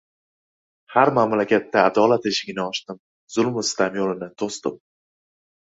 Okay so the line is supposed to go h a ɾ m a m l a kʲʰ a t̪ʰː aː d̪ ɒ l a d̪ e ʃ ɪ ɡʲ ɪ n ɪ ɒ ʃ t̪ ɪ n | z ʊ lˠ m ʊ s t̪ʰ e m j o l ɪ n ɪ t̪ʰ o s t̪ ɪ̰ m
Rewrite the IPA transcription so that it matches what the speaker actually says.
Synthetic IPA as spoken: h a ɾ m a m l a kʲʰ a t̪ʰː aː d̪ ɒ l a t̪ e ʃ ɪ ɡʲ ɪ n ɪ ɒ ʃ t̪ ɪ m | z ʊ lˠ m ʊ s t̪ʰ a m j o l ɪ n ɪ t̪ʰ o s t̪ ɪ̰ m